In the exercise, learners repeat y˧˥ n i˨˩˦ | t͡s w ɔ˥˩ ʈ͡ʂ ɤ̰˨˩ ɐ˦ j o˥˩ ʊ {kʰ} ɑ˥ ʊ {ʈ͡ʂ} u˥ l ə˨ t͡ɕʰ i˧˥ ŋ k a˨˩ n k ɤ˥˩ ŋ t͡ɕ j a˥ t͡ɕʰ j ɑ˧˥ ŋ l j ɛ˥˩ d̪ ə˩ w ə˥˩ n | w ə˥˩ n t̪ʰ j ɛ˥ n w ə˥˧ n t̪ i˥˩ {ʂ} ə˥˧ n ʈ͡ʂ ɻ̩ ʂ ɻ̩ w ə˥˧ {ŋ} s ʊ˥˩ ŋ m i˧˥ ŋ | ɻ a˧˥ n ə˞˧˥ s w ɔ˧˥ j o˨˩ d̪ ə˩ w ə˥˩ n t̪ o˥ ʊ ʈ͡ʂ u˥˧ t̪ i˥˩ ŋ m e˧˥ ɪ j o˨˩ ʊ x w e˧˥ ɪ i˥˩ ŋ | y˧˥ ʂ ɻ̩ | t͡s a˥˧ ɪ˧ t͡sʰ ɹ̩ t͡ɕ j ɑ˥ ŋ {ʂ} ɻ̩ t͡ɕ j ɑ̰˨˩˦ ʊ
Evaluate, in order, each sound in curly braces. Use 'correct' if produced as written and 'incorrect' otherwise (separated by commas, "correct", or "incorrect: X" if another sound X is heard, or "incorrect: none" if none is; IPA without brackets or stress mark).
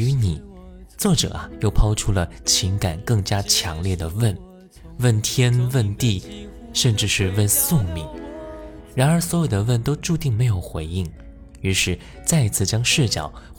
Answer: incorrect: pʰ, incorrect: ʈ͡ʂʰ, correct, incorrect: n, correct